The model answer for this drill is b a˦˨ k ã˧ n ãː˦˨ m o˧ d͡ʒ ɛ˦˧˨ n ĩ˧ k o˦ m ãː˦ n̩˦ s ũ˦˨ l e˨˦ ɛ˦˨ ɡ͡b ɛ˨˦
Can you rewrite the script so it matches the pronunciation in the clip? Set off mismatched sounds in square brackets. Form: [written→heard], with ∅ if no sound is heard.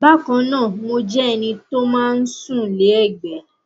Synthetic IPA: b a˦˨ k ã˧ n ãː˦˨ m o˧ d͡ʒ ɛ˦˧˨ n ĩ˧ [k→t] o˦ m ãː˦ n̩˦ s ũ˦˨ l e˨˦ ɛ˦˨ ɡ͡b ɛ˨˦